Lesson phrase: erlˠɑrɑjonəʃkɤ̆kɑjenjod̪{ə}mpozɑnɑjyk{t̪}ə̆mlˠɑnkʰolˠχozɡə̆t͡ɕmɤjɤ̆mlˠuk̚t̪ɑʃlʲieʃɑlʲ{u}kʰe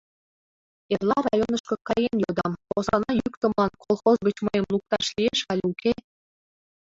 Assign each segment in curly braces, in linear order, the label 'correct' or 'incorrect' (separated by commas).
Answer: incorrect, correct, correct